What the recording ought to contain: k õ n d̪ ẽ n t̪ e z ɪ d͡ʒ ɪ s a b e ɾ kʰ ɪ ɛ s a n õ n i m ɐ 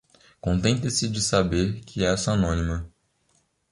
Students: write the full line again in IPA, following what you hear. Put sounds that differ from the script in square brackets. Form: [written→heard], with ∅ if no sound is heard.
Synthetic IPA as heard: k õ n [d̪→t̪] ẽ n t̪ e [z→s] ɪ d͡ʒ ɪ s a b e ɾ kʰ ɪ ɛ s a n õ n i m ɐ